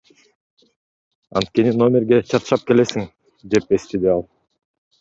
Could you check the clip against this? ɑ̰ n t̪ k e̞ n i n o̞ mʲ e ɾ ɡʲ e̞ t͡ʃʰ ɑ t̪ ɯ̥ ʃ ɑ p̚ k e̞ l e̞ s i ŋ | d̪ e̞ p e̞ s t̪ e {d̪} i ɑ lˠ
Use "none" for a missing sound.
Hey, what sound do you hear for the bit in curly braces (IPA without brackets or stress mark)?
d̪